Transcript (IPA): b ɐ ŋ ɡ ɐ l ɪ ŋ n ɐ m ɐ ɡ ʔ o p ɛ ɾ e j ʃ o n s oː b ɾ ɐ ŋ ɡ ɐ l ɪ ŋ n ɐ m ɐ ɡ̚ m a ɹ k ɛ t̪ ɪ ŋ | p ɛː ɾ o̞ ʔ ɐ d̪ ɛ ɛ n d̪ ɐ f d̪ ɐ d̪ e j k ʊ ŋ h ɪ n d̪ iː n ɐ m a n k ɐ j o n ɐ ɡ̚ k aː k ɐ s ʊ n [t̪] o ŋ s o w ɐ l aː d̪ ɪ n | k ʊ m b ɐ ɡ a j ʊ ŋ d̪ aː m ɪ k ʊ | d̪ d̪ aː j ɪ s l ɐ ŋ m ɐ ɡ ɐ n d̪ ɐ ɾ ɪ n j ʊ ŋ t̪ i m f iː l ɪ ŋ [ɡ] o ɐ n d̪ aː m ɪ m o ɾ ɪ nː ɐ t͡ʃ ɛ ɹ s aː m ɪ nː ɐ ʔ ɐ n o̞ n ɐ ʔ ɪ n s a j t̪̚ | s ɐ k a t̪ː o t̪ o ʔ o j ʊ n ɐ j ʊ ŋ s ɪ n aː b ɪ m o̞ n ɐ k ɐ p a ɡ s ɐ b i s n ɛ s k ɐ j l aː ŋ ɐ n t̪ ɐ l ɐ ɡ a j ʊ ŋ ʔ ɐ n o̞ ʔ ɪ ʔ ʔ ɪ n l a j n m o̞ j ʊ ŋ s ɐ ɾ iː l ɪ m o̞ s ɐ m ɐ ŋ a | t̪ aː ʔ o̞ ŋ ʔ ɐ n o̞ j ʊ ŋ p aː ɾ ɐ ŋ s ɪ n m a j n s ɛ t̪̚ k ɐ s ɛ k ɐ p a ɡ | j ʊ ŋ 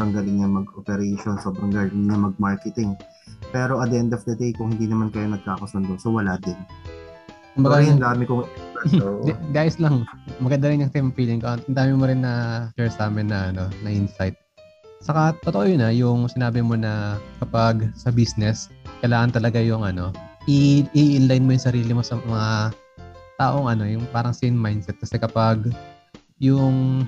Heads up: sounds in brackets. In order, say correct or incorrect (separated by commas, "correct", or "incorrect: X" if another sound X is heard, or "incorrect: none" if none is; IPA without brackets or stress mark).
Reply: incorrect: d̪, incorrect: k